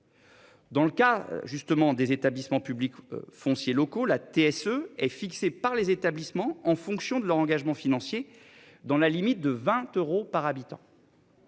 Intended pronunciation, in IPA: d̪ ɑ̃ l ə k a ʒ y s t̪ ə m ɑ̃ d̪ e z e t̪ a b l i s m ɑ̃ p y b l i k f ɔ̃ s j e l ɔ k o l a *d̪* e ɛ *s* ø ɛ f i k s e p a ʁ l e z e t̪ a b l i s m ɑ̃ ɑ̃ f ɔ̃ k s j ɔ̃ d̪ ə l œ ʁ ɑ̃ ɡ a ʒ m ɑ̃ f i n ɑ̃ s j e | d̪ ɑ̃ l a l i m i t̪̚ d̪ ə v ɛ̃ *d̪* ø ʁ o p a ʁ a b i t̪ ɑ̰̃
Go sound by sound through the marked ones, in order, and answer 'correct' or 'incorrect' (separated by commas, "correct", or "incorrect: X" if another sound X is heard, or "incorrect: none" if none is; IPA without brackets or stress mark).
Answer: incorrect: t̪, correct, incorrect: t̪